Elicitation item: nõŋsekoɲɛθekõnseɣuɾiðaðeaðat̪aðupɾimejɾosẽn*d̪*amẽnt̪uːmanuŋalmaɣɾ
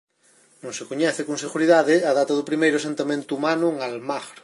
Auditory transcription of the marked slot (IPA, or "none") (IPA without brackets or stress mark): t̪